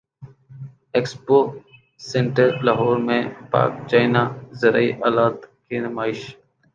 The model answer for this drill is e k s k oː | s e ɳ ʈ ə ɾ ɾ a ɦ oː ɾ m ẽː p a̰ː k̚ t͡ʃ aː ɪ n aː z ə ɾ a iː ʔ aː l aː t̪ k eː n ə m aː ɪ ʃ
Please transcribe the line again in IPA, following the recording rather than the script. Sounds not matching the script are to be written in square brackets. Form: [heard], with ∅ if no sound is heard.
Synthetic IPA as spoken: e k s [p] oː | s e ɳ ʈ ə ɾ [l] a ɦ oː ɾ m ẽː p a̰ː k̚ t͡ʃ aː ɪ n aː z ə ɾ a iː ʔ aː l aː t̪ k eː n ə m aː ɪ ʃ